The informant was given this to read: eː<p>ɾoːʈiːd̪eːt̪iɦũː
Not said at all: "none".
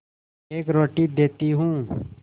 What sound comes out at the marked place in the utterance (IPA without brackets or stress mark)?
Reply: k